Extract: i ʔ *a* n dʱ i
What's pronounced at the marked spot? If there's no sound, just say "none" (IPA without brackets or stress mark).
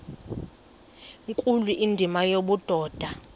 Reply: i